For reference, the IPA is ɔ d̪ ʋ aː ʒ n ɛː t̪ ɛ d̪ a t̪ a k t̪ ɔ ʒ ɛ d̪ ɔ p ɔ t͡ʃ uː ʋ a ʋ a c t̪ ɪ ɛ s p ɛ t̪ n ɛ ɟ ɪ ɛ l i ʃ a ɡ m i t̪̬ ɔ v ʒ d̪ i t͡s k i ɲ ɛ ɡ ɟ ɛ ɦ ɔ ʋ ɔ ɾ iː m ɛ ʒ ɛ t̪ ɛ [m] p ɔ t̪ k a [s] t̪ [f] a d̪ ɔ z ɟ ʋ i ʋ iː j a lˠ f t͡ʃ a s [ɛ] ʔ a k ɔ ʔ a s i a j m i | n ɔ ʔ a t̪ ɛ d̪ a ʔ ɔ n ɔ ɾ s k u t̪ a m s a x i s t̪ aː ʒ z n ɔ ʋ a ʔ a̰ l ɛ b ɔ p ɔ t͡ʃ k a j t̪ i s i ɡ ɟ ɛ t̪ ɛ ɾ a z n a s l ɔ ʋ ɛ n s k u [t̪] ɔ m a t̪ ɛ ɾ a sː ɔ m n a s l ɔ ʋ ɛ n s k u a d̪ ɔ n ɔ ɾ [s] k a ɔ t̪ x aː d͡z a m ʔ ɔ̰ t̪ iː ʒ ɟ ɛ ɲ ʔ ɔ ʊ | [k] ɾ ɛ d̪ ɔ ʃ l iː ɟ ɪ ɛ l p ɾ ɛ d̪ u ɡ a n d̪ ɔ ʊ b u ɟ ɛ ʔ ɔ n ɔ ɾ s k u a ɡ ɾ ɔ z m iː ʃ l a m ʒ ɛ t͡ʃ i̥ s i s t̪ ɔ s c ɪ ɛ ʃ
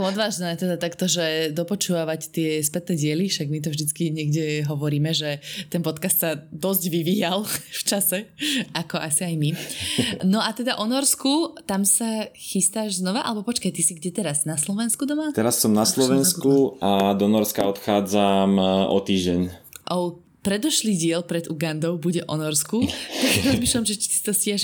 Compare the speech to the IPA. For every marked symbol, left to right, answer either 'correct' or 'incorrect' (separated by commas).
incorrect, correct, incorrect, correct, incorrect, correct, incorrect